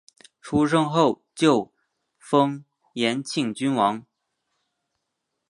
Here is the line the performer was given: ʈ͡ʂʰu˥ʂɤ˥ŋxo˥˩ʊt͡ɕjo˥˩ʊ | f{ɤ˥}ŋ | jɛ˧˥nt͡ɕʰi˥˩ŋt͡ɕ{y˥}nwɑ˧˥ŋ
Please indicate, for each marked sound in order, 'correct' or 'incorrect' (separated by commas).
correct, correct